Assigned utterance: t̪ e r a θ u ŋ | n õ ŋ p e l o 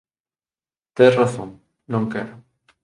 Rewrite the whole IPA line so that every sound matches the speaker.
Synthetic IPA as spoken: t̪ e r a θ o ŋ | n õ ŋ k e ɾ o